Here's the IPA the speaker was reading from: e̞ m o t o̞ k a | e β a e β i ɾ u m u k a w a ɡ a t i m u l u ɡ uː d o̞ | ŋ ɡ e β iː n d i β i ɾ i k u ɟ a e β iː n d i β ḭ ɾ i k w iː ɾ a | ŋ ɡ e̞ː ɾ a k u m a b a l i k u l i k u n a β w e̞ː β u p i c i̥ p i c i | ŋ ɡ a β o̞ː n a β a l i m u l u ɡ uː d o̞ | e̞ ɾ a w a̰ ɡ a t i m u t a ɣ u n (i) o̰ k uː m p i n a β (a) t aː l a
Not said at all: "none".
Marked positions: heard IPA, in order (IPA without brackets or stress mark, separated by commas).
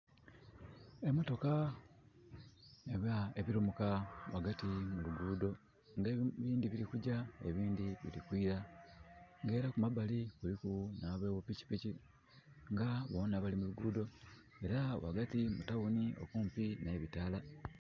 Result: i, i